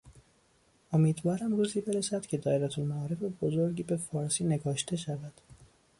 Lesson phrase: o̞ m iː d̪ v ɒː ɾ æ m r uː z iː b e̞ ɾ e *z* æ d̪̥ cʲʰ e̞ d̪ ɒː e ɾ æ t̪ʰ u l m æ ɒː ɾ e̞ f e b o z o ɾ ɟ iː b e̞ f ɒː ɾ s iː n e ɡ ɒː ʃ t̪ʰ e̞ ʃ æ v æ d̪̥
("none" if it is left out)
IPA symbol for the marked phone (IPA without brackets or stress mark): s